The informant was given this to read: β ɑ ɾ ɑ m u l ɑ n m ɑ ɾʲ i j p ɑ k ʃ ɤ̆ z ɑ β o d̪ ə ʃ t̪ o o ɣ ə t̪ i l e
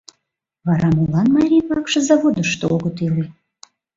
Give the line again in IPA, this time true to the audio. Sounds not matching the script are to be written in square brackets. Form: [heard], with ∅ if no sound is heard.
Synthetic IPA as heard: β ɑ ɾ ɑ m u l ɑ n m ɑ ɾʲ i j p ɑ k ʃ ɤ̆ z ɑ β o d̪ ə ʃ t̪ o o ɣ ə t̪ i l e